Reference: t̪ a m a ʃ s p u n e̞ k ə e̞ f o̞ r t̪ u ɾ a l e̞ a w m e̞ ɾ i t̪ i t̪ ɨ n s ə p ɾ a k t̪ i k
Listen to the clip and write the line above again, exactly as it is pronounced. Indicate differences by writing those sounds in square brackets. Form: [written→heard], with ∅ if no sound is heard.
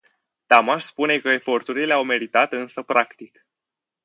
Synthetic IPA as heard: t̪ a m a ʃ s p u n e̞ k ə e̞ f o̞ r t̪ u ɾ [a→i] l e̞ a w m e̞ ɾ i t̪ [i→a] t̪ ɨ n s ə p ɾ a k t̪ i k